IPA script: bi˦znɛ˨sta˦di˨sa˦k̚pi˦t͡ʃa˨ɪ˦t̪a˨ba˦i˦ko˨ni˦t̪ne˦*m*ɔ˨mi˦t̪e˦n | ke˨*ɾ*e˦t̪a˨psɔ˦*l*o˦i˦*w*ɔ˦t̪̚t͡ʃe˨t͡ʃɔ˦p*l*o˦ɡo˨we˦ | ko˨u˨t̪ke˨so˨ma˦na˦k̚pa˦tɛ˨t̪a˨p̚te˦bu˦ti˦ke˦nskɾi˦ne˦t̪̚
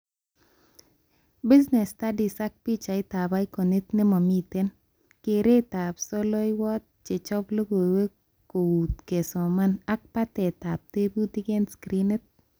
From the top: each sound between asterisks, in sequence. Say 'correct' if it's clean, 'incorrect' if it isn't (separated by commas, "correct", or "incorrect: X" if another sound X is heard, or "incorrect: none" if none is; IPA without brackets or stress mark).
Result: correct, correct, correct, correct, correct